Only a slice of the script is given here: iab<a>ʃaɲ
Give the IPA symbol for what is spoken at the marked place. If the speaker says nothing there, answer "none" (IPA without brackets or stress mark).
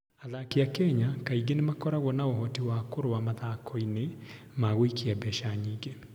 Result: ɛ